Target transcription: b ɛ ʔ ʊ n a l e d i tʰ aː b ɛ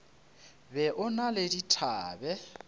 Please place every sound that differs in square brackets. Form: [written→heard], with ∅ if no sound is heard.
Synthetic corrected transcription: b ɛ ʔ ʊ n a l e d i tʰ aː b ɛ

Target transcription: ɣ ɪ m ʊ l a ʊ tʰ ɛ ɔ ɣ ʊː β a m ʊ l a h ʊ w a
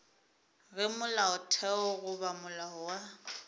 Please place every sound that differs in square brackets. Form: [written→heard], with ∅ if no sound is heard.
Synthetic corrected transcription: ɣ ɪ m ʊ l a ʊ tʰ ɛ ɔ ɣ [ʊː→ʊ] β a m ʊ l a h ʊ w a

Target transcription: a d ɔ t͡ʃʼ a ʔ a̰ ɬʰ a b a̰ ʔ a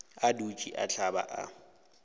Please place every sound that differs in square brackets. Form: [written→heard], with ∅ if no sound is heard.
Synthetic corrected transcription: a d [ɔ→u] t͡ʃʼ [a→i] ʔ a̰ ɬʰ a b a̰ ʔ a

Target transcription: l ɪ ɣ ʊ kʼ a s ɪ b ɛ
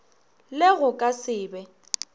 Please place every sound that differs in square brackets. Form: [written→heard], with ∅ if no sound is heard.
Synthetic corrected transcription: l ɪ ɣ ʊ kʼ a s [ɪ→ɪː] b ɛ

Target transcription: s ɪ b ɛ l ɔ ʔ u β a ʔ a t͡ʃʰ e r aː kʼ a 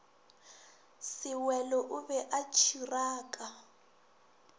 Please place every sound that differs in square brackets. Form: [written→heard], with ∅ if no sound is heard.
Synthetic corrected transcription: s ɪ [b→w] ɛ l ɔ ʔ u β [a→ɛ] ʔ a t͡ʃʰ [e→i] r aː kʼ a

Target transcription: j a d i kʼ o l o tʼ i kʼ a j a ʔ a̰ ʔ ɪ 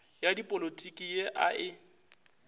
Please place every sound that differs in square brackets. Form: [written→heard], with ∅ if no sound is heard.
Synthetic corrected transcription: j a d i [kʼ→pʼ] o l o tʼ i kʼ [a→i] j [a→e] ʔ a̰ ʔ ɪ

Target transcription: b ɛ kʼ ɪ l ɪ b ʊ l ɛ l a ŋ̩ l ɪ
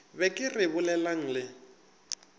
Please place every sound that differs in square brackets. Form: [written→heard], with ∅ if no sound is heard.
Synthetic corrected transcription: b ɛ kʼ ɪ [l→r] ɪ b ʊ l ɛ l a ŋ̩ l ɪ

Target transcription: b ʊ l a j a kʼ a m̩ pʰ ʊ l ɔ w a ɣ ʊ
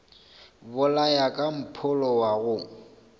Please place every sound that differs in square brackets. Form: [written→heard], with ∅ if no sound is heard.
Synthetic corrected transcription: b ʊ l a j a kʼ a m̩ pʰ ʊ l ɔ w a ɣ ʊ

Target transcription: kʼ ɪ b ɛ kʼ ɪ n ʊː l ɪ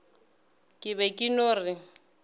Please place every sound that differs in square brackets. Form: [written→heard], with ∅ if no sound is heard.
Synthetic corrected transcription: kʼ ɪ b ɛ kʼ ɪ n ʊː [l→r] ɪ

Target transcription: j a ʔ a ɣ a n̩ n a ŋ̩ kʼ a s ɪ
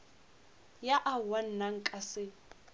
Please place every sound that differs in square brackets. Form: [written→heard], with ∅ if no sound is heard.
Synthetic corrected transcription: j a ʔ a [ɣ→w] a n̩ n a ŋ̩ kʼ a s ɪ

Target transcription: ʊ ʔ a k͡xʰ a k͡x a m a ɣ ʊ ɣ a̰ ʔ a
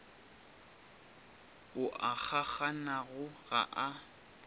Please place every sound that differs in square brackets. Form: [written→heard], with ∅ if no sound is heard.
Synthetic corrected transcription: ʊ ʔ a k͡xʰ a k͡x a [m→n] a ɣ ʊ ɣ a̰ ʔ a

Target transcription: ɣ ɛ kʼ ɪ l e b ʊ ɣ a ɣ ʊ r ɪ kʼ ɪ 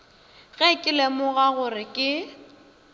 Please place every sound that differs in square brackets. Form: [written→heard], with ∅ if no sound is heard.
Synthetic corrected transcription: ɣ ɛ kʼ ɪ l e [b→m] ʊ ɣ a ɣ ʊ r ɪ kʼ ɪ

